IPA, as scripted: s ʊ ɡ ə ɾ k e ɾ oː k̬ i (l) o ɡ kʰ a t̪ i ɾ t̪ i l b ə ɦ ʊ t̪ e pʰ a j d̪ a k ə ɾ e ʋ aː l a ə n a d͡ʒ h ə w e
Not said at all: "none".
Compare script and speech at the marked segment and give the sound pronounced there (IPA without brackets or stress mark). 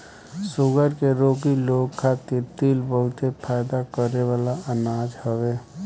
l